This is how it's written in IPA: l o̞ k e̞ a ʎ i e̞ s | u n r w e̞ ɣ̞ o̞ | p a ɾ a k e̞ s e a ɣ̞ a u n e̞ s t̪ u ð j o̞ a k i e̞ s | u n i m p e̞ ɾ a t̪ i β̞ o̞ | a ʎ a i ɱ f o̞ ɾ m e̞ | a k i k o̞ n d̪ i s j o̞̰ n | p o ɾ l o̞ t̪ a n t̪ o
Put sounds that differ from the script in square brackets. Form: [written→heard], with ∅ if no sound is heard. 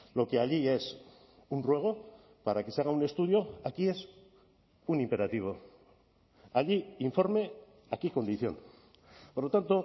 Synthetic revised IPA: l o̞ k e̞ a ʎ i e̞ s | u n r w e̞ ɣ̞ o̞ | p a ɾ a k e̞ s e a ɣ̞ a u n e̞ s t̪ u ð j o̞ a k i e̞ s | u n i m p e̞ ɾ a t̪ i β̞ o̞ | a ʎ [a→i] i ɱ f o̞ ɾ m e̞ | a k i k o̞ n d̪ i [s→θ] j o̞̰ n | p o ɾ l o̞ t̪ a n t̪ o